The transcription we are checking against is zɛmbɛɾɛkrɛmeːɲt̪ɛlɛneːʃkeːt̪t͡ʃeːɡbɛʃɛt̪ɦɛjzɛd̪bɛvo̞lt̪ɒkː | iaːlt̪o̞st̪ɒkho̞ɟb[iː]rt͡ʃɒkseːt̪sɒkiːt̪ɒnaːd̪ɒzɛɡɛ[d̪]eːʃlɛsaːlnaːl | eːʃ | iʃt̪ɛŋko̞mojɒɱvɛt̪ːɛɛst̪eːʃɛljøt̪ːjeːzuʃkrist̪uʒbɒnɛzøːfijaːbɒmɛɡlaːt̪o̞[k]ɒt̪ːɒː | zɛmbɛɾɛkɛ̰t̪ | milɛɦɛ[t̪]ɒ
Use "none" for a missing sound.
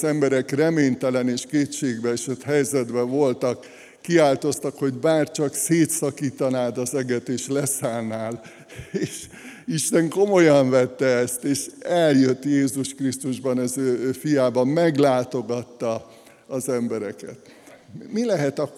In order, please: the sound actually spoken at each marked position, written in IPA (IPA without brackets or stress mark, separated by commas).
aː, t̪, ɡ, t̪